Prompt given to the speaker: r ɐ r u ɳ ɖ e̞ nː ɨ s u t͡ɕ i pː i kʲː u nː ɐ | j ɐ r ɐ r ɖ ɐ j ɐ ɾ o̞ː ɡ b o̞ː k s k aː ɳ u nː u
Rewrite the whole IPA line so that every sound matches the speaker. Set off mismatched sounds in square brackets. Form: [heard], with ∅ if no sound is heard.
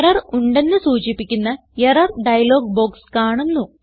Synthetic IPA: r ɐ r u ɳ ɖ e̞ nː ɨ s [uː] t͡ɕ i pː i kʲː u nː ɐ | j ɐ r ɐ r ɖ ɐ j ɐ [l] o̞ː ɡ b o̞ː k s k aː ɳ u nː u